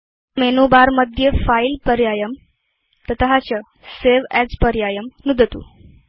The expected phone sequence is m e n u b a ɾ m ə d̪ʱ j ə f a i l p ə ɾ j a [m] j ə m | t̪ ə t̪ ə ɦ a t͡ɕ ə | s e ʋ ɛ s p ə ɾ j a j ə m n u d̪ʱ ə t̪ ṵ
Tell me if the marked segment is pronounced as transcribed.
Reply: no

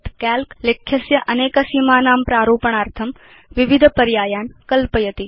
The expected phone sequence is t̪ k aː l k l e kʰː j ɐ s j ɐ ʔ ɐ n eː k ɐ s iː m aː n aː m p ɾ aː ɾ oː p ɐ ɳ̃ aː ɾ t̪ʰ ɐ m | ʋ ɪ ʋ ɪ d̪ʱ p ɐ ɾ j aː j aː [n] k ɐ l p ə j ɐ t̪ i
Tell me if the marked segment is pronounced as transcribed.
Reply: yes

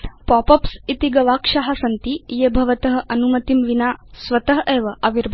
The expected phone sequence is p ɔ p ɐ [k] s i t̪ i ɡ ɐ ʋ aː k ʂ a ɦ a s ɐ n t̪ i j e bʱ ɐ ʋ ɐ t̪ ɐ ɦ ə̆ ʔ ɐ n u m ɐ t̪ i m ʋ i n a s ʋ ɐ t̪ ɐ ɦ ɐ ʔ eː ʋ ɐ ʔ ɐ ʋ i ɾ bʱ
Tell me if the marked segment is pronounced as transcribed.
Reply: no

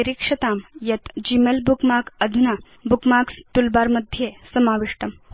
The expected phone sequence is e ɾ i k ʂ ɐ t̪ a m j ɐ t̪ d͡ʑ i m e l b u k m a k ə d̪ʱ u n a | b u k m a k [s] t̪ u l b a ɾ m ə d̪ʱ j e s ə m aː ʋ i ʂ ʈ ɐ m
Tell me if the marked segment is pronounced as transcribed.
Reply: yes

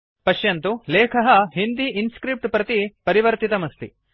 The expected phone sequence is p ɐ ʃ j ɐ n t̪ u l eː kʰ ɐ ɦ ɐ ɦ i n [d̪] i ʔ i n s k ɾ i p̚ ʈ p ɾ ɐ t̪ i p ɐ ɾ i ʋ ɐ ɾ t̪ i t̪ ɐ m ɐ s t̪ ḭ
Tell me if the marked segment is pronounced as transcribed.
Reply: yes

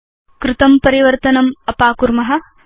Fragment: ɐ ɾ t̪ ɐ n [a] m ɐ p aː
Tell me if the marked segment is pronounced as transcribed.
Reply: no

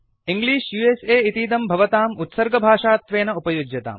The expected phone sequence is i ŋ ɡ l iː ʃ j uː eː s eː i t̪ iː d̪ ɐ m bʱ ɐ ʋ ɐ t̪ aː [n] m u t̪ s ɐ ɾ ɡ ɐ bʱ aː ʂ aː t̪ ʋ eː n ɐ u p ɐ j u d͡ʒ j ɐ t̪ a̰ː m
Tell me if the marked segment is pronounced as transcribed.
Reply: no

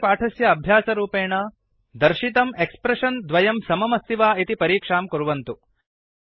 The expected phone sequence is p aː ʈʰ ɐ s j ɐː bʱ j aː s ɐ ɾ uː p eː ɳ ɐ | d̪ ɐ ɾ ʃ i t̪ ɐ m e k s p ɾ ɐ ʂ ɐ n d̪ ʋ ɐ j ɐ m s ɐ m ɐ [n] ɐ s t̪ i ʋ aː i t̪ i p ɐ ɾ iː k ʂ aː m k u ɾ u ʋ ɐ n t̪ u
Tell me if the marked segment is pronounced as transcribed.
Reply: no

